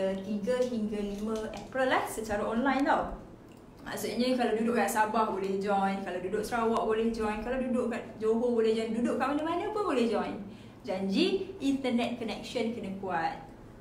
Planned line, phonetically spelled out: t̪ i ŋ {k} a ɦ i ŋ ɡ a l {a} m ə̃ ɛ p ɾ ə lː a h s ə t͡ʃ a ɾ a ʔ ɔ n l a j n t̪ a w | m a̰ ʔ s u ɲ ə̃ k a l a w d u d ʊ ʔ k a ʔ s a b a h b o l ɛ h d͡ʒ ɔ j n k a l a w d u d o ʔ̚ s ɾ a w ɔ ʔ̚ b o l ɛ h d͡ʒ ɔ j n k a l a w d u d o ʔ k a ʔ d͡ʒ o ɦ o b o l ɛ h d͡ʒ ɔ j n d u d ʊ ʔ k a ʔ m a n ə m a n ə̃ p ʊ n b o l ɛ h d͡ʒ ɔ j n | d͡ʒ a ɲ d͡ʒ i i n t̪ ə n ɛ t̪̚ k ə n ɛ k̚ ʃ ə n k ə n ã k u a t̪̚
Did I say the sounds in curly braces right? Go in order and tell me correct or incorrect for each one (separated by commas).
incorrect, incorrect